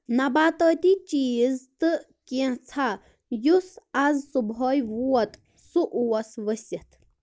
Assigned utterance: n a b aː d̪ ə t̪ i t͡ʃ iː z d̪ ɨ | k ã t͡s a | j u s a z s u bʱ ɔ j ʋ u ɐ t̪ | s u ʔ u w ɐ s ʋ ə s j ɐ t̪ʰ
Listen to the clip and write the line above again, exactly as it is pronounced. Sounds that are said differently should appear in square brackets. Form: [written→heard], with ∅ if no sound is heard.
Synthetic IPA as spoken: n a b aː [d̪→t̪] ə t̪ i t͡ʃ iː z [d̪→t̪] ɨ | k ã [t͡s→t͡sʰ] a | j u s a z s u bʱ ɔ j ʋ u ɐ t̪ | s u ʔ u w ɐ s ʋ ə s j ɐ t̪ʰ